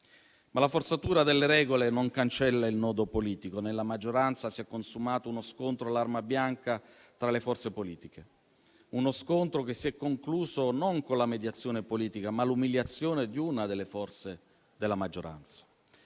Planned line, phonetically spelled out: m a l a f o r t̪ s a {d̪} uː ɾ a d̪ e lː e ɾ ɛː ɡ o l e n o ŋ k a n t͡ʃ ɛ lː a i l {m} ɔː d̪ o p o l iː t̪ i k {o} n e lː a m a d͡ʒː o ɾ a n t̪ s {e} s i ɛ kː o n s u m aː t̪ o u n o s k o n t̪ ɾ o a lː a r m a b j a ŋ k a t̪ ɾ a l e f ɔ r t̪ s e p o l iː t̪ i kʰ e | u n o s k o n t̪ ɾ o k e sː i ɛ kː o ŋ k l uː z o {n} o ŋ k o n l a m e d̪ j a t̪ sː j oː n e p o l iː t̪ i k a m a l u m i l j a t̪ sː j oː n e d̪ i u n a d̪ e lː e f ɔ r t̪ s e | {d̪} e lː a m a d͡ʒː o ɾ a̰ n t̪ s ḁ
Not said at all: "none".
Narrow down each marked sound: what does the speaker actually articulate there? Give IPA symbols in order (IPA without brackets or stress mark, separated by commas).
t̪, n, o, a, n, d̪